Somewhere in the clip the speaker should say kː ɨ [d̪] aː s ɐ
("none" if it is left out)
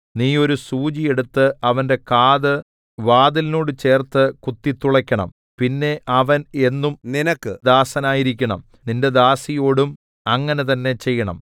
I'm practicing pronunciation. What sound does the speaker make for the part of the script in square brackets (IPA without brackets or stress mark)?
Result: d̪